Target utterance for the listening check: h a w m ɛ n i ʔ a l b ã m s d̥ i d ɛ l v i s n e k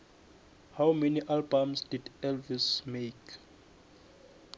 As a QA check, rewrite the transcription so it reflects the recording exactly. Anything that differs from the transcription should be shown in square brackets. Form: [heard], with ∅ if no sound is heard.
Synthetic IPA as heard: h a w m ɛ n i ʔ a l b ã m s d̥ i d ɛ l v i s [m] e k